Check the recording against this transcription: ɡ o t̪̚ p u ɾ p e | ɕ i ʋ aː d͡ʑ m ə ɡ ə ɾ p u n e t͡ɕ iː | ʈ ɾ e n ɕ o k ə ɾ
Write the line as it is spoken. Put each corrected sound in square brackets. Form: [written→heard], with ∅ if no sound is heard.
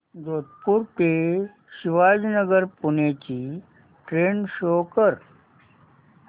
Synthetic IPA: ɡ o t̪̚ p u ɾ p e | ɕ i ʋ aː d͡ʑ [m→n] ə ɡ ə ɾ p u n e t͡ɕ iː | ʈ ɾ e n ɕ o k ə ɾ